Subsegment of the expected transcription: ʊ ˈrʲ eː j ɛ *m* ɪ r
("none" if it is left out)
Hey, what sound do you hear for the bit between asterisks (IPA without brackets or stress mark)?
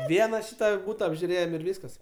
m